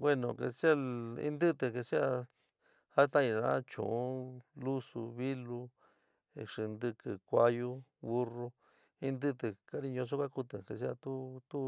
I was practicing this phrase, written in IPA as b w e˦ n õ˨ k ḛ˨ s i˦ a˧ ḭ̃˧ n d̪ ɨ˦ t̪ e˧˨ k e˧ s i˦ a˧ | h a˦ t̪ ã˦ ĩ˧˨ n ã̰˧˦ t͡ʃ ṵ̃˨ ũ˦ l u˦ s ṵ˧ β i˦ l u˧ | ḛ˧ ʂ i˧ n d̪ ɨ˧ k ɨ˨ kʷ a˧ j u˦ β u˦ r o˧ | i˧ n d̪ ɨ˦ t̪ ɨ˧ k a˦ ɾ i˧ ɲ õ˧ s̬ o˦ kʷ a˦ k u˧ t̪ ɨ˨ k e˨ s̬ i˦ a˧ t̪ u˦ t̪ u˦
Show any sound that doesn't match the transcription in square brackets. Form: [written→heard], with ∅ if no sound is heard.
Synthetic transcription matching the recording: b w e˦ n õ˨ k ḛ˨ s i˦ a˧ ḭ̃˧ n d̪ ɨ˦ t̪ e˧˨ k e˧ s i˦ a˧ | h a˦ t̪ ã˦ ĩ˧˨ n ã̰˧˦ t͡ʃ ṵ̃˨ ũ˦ l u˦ s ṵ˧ β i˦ l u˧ | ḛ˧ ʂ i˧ n d̪ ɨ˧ k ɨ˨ kʷ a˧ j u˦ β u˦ r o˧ | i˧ n d̪ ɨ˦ t̪ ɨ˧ k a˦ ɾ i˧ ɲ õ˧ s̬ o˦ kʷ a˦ k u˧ t̪ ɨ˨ k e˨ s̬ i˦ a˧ t̪ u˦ t̪ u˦